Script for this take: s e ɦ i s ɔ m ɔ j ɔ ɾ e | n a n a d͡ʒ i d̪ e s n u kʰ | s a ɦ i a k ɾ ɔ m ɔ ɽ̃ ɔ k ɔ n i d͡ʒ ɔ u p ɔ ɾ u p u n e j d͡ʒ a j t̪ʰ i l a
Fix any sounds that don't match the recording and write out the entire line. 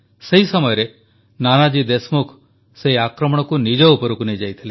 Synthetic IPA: s e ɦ i s ɔ m ɔ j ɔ ɾ e | n a n a d͡ʒ i d̪ e s m u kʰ | s e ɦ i a k ɾ ɔ m ɔ ɽ̃ ɔ k u n i d͡ʒ ɔ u p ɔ ɾ u k u n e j d͡ʒ a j t̪ʰ i l e